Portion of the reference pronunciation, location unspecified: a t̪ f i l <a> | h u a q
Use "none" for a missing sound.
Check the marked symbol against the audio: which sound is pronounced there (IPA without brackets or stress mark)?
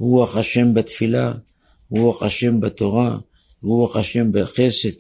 a